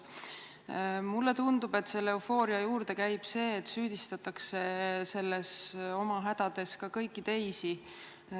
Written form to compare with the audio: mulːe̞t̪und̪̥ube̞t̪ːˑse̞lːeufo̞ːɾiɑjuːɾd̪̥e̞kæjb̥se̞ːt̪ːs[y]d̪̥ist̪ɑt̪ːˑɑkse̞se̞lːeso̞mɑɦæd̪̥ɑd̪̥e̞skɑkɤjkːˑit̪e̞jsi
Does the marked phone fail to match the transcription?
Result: yes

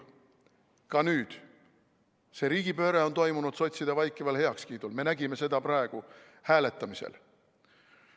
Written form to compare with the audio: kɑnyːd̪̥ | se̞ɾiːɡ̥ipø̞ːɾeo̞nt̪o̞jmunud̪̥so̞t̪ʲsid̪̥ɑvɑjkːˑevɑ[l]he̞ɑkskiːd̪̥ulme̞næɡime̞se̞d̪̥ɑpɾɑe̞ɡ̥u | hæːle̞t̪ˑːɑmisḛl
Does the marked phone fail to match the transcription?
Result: no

